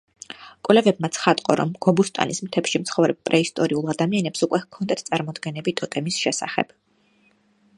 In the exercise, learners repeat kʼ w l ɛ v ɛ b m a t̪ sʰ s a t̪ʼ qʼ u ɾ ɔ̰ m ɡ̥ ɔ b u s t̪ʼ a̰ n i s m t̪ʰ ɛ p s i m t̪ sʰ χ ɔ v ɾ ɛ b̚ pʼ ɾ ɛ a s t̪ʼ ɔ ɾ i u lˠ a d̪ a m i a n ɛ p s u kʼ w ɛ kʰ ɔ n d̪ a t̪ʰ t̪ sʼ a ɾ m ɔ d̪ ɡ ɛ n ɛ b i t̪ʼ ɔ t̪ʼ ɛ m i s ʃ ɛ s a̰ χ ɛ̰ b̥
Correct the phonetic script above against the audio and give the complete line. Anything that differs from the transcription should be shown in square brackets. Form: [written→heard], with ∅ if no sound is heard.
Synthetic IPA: kʼ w l ɛ v ɛ b m a t̪ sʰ [s→χ] a t̪ʼ qʼ [u→ɔ] ɾ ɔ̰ m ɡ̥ ɔ b u s t̪ʼ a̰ n i s m t̪ʰ ɛ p [s→ʃ] i m t̪ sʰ χ ɔ v ɾ ɛ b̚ pʼ ɾ ɛ [a→i] s t̪ʼ ɔ ɾ i u lˠ a d̪ a m i a n ɛ p s u kʼ w ɛ kʰ ɔ n d̪ a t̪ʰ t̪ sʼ a ɾ m ɔ d̪ ɡ ɛ n ɛ b i t̪ʼ ɔ t̪ʼ ɛ m i s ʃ ɛ s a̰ χ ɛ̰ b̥

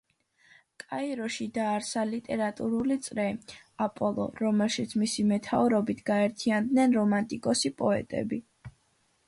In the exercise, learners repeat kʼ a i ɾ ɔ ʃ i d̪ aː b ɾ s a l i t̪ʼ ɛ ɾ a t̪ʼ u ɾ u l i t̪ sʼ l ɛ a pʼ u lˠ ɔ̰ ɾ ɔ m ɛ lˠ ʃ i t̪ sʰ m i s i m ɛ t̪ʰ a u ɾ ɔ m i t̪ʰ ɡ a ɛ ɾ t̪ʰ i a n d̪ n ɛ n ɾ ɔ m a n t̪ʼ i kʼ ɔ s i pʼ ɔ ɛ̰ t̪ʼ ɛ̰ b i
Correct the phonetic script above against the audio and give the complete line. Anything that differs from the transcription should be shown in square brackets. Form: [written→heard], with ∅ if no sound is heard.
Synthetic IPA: kʼ a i ɾ ɔ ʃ i d̪ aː [b→∅] ɾ s a l i t̪ʼ ɛ ɾ a t̪ʼ u ɾ u l i t̪ sʼ [l→ɾ] ɛ a pʼ [u→ɔ] lˠ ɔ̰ ɾ ɔ m ɛ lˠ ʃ i t̪ sʰ m i s i m ɛ t̪ʰ a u ɾ ɔ [m→b] i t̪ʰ ɡ a ɛ ɾ t̪ʰ i a n d̪ n ɛ n ɾ ɔ m a n t̪ʼ i kʼ ɔ s i pʼ ɔ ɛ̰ t̪ʼ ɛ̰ b i

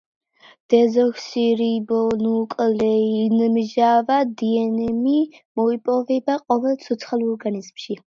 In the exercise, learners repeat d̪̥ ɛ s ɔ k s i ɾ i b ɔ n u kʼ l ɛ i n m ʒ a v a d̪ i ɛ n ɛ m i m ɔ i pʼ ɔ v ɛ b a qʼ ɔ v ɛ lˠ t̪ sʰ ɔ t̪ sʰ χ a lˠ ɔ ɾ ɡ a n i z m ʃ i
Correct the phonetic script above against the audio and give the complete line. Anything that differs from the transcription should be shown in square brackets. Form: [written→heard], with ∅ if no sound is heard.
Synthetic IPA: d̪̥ ɛ [s→z] ɔ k s i ɾ i b ɔ n u kʼ l ɛ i n m ʒ a v a d̪ i ɛ n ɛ m i m ɔ i pʼ ɔ v ɛ b a qʼ ɔ v ɛ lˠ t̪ sʰ ɔ t̪ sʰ χ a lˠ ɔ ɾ ɡ a n i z m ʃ i

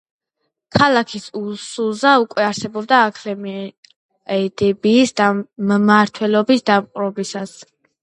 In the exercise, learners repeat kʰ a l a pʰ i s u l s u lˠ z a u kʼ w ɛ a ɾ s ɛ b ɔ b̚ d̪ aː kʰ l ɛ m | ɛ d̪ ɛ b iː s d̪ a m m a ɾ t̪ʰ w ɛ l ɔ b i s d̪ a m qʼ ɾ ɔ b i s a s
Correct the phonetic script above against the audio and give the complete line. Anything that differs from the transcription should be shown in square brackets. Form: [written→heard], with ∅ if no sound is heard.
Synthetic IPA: kʰ a l a [pʰ→kʰ] i s u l s u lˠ z a u kʼ w ɛ a ɾ s ɛ b ɔ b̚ d̪ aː kʰ l ɛ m | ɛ d̪ ɛ b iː s d̪ a m m a ɾ t̪ʰ w ɛ l ɔ b i s d̪ a m qʼ ɾ ɔ b i s a s

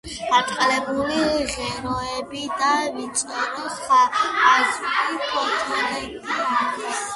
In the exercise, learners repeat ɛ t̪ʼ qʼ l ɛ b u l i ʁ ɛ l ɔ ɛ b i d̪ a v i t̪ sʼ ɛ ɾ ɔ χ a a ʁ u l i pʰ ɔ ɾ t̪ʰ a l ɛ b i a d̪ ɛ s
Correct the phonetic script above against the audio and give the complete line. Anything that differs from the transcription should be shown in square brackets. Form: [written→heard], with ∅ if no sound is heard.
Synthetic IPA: [ɛ→a] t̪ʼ qʼ l ɛ b u l i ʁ ɛ [l→ɾ] ɔ ɛ b i d̪ a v i t̪ sʼ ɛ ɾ ɔ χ a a [ʁ→z] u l i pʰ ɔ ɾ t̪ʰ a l ɛ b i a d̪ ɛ s

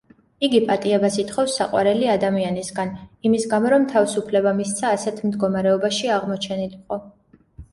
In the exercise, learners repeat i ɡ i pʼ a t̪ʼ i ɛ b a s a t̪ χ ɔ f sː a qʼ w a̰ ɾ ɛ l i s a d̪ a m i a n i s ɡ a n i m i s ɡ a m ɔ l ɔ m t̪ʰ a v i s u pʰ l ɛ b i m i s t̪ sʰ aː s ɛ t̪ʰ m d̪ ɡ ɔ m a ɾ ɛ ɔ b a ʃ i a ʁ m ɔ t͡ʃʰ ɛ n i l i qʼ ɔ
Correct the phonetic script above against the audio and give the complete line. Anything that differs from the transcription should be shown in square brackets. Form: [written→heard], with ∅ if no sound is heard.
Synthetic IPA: i ɡ i pʼ a t̪ʼ i ɛ b a s [a→i] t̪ χ ɔ f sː a qʼ w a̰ ɾ ɛ l i [s→∅] a d̪ a m i a n i s ɡ a n i m i s ɡ a m ɔ [l→ɾ] ɔ m t̪ʰ a v i s u pʰ l ɛ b [i→a] m i s t̪ sʰ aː s ɛ t̪ʰ m d̪ ɡ ɔ m a ɾ ɛ ɔ b a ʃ i a ʁ m ɔ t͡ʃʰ ɛ n i l i qʼ ɔ

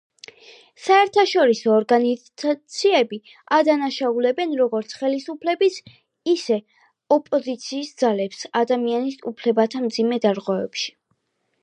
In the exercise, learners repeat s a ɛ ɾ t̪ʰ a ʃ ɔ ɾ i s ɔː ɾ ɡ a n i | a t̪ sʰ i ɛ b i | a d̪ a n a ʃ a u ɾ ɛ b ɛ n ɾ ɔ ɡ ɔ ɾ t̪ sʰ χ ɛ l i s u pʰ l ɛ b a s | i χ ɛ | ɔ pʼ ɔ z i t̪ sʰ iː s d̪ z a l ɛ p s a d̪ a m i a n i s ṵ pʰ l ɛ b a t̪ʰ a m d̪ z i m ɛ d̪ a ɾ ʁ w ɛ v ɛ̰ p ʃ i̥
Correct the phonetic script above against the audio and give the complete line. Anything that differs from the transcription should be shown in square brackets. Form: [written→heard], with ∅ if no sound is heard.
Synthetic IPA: s a ɛ ɾ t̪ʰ a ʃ ɔ ɾ i s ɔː ɾ ɡ a n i | a t̪ sʰ i ɛ b i | a d̪ a n a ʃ a u [ɾ→l] ɛ b ɛ n ɾ ɔ ɡ ɔ ɾ t̪ sʰ χ ɛ l i s u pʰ l ɛ b [a→i] s | i [χ→s] ɛ | ɔ pʼ ɔ z i t̪ sʰ iː s d̪ z a l ɛ p s a d̪ a m i a n i s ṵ pʰ l ɛ b a t̪ʰ a m d̪ z i m ɛ d̪ a ɾ ʁ w ɛ v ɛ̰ p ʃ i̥

